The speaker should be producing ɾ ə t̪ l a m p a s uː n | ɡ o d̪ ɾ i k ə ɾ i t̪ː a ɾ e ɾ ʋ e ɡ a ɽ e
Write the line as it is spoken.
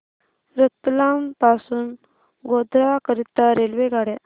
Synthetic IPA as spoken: ɾ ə t̪ l a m p a s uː n | ɡ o d̪ ɾ a k ə ɾ i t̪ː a ɾ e l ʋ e ɡ a ɽ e

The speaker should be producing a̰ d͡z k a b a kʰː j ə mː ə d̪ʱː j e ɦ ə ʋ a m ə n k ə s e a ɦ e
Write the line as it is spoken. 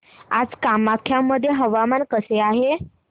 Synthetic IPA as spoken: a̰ d͡z k a m a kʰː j a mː ə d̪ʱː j e ɦ ə ʋ a m a n k ə s e a ɦ e

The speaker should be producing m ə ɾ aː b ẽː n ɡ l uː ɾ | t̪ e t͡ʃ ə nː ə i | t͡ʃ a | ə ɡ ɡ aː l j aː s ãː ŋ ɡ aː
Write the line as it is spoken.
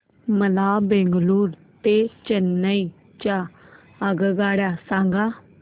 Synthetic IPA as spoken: m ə l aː b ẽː ŋ ɡ l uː ɾ | t̪ e t͡ʃ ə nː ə i | t͡ʃ a | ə ɡ ɡ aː ɽ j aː s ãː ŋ ɡ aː

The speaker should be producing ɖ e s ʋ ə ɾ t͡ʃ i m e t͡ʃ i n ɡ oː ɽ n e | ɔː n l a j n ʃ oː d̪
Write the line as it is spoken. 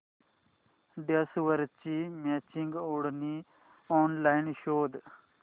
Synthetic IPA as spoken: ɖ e s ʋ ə ɾ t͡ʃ i m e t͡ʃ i ŋ ɡ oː ɽ n i | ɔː n l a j n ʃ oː d̪

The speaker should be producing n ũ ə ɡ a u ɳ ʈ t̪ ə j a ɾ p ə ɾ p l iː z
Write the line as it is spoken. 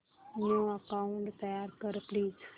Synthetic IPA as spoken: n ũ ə k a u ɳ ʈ t̪ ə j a ɾ k ə ɾ p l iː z

